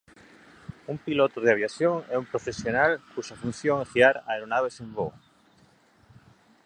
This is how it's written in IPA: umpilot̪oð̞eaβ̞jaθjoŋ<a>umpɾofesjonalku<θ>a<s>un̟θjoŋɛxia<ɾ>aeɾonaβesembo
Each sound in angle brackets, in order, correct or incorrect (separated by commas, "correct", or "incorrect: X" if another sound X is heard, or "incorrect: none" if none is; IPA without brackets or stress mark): incorrect: ɛ, incorrect: ʃ, incorrect: f, correct